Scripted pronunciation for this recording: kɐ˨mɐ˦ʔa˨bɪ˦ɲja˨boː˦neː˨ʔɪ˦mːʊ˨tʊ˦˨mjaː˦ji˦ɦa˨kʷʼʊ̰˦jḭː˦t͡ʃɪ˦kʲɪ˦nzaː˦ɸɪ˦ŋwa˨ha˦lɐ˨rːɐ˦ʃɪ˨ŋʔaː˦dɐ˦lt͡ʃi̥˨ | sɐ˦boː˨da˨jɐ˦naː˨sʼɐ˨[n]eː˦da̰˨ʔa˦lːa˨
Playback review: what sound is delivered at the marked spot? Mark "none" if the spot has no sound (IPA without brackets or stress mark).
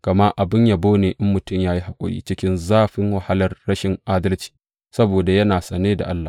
n